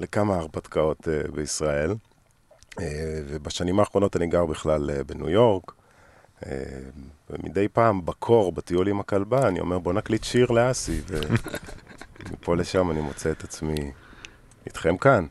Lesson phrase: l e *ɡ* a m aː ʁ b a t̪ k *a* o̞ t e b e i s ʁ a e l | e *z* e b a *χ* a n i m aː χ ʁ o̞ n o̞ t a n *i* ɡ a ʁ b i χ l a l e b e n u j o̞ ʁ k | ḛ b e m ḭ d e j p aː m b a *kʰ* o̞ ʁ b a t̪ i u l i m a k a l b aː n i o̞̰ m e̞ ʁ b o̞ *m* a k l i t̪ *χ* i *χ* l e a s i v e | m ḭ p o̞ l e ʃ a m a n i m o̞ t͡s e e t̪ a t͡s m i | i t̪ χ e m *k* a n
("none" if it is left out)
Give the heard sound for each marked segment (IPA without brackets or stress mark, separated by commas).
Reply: k, a, v, ʃ, i, kʰ, n, ʃ, ʁ, k